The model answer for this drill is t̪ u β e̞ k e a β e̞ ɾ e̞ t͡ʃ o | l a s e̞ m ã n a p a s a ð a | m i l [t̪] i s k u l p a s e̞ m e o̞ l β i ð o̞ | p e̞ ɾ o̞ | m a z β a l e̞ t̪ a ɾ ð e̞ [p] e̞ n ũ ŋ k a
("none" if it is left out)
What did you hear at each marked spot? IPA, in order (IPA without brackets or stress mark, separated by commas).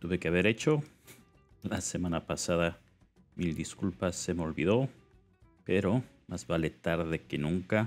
d̪, k